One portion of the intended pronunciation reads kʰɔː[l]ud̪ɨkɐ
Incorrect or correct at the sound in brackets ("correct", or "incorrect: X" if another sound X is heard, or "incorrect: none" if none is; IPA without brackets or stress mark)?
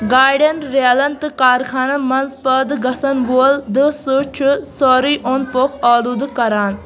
correct